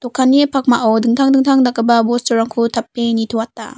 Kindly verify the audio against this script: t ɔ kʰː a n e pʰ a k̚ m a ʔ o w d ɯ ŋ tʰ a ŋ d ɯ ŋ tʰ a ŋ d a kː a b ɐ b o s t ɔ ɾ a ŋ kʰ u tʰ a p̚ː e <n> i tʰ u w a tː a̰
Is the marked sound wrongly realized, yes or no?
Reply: no